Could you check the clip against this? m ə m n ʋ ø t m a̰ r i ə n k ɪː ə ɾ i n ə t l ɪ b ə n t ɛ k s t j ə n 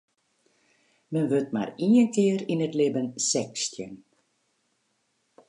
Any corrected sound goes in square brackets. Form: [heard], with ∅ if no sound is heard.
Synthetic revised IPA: m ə [∅] n ʋ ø t m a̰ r i ə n k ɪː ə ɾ i n ə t l ɪ b ə n [s] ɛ k s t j ə n